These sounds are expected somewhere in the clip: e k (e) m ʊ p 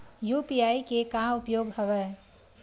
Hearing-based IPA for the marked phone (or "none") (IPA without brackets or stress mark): a